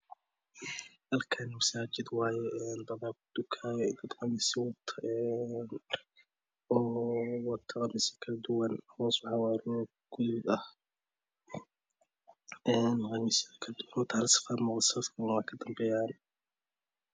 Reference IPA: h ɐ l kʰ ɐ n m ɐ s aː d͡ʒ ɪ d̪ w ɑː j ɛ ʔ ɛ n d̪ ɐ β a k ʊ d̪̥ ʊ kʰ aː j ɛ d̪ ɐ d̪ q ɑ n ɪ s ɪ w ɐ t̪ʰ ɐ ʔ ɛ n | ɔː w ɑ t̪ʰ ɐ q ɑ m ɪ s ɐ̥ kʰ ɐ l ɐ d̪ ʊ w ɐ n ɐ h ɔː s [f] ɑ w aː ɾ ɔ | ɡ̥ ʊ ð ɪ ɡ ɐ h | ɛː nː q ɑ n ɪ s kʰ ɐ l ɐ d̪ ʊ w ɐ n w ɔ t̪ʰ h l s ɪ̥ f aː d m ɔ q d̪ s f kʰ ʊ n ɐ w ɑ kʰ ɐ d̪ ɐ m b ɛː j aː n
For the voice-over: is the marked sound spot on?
no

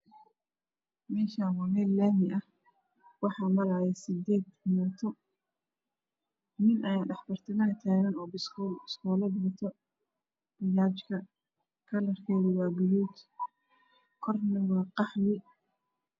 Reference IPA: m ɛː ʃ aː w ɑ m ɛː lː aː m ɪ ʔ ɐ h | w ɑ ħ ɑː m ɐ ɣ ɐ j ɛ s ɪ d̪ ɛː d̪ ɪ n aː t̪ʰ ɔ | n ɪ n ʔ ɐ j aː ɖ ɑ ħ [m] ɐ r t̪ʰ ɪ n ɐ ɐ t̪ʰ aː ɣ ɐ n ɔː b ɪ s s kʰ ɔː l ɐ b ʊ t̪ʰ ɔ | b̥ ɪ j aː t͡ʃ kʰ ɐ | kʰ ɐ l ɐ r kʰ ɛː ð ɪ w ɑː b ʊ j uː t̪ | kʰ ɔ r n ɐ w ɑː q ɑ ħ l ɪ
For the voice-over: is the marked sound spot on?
no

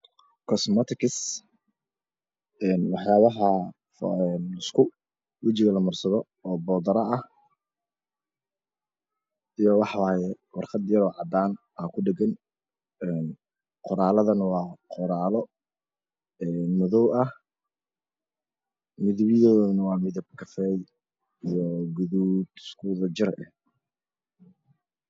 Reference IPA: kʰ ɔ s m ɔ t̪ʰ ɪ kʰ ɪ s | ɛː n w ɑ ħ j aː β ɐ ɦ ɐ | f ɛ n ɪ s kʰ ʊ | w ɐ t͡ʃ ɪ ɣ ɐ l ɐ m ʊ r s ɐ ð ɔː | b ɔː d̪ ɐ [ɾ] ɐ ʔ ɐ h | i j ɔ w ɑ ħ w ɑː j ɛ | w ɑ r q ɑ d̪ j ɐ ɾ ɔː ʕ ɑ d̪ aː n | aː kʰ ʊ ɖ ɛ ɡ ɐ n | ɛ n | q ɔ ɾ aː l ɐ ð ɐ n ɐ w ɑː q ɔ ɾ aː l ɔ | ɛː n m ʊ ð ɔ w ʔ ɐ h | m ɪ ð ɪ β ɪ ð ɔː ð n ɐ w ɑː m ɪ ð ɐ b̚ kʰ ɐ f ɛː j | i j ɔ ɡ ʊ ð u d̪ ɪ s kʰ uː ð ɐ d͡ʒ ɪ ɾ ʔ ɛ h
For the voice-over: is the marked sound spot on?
yes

